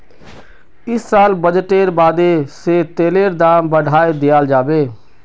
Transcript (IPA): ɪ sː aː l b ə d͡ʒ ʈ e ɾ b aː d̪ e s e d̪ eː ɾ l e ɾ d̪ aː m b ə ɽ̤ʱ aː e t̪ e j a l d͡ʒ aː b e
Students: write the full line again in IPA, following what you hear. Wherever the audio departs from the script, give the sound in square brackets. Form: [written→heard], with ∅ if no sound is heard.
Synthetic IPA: ɪ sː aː l b ə d͡ʒ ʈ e ɾ b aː d̪ e s e [d̪→t̪] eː [ɾ→∅] l e ɾ d̪ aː m b ə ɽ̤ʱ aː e [t̪→d̪] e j a l d͡ʒ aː b e